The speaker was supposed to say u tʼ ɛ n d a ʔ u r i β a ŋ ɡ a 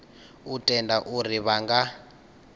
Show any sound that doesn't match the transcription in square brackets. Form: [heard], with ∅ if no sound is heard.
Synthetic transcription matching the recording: u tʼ ɛ n d a ʔ u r i β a ŋ ɡ a

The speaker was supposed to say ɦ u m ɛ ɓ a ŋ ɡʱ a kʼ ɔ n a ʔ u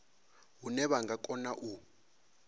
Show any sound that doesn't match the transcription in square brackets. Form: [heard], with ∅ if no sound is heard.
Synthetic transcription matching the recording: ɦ u [n] ɛ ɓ a ŋ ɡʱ a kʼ ɔ n a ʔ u

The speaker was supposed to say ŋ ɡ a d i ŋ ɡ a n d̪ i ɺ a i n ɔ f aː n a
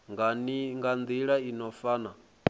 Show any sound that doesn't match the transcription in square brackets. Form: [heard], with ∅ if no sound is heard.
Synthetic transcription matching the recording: ŋ ɡ a [n] i ŋ ɡ a n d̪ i ɺ a i n ɔ f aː n a

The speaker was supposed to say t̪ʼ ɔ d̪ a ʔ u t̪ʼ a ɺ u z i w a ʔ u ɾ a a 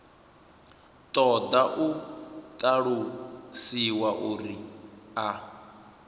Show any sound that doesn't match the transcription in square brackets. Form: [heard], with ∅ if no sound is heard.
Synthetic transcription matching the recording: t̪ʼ ɔ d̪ a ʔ u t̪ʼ a ɺ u [s] i w a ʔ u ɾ [i] a

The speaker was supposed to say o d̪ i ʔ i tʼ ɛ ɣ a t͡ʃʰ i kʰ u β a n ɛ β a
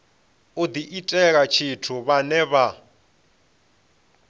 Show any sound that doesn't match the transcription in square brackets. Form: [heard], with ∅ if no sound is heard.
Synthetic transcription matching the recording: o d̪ i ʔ i tʼ ɛ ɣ a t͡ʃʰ i [tʰ] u β a n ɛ β a

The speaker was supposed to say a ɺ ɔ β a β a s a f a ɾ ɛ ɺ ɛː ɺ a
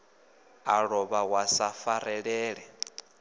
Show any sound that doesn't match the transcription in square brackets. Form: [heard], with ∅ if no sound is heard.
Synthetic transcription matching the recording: a ɺ ɔ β a [w] a s a f a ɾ ɛ ɺ ɛː ɺ [ɛ]

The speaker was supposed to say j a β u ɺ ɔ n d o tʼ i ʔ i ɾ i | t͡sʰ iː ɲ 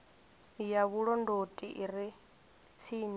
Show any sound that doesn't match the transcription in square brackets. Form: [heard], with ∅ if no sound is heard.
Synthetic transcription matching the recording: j a β u ɺ ɔ n d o tʼ i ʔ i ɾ i | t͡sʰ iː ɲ

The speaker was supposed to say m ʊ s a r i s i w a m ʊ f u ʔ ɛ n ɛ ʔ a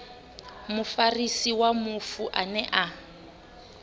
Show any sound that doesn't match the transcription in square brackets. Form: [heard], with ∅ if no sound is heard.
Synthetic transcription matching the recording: m ʊ [f] a r i s i w a m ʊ f u ʔ [a] n ɛ ʔ a

